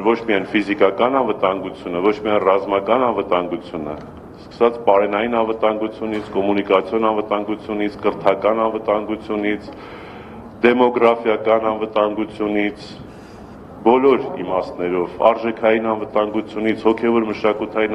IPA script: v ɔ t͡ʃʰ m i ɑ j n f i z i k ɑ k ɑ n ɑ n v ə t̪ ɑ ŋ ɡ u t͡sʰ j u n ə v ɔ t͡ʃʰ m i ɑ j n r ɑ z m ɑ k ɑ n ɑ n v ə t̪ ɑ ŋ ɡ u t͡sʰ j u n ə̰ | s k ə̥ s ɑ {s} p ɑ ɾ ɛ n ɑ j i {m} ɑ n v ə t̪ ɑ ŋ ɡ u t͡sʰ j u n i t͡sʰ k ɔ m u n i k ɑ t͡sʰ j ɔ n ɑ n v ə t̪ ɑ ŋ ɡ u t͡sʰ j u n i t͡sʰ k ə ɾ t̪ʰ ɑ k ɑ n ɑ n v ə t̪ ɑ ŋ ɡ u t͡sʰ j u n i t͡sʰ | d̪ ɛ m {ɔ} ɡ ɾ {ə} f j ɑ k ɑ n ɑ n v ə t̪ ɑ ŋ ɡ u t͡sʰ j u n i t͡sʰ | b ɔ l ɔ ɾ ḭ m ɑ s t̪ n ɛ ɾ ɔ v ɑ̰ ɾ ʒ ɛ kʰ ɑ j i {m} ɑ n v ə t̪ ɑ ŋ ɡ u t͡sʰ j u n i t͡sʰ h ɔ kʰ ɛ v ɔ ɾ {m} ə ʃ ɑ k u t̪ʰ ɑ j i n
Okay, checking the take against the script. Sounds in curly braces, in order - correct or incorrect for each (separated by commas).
incorrect, incorrect, correct, incorrect, incorrect, correct